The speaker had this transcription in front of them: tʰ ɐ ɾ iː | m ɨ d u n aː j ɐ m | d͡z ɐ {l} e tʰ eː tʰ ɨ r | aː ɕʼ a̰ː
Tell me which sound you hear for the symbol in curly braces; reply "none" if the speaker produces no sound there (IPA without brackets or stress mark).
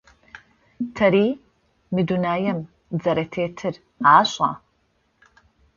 ɾ